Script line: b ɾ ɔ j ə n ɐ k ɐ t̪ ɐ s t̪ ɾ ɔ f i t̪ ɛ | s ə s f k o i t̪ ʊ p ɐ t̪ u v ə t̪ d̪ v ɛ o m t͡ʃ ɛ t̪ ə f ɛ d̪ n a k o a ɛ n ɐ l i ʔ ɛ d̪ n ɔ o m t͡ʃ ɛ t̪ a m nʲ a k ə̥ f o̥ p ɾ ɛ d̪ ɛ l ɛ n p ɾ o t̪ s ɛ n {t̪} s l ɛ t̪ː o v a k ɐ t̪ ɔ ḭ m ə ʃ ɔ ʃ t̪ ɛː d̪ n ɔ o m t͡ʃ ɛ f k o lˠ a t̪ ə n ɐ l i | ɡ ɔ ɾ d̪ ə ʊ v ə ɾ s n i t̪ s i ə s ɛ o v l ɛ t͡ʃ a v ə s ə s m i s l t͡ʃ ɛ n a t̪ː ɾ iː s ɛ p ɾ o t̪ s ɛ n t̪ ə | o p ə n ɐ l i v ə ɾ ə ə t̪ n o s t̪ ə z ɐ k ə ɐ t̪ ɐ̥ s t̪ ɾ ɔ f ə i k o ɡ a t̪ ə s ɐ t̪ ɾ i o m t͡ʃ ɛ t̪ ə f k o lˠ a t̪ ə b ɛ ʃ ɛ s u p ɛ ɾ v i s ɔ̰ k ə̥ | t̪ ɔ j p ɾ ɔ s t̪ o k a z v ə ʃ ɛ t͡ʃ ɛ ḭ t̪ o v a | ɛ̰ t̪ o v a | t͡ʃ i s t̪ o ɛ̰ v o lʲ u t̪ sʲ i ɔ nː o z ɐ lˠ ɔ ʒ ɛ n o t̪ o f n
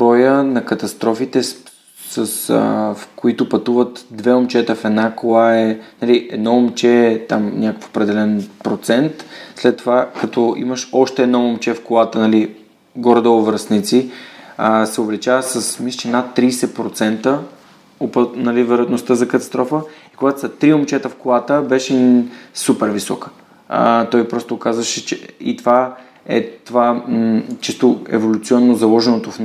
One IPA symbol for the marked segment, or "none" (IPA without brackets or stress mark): t̪